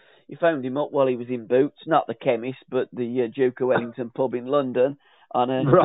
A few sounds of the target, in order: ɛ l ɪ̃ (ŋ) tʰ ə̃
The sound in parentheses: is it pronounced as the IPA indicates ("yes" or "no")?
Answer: yes